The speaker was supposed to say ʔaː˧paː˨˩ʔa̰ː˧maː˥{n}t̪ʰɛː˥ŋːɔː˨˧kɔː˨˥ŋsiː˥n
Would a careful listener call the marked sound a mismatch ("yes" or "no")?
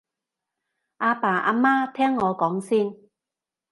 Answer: yes